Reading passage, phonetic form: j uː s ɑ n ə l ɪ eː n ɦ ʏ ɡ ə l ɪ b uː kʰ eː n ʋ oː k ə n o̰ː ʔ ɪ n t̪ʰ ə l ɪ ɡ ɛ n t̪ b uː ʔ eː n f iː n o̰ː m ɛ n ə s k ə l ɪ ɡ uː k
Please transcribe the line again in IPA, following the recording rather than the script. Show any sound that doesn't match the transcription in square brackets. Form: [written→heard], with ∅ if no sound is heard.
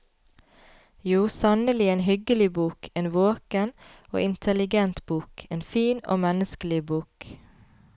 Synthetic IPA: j uː s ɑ n ə l ɪ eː n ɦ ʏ ɡ ə l ɪ b uː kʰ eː n ʋ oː k ə n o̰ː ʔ ɪ n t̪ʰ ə l ɪ ɡ ɛ n t̪ b uː [ʔ→k] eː n f iː n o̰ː m ɛ n ə s k ə l ɪ [ɡ→b] uː k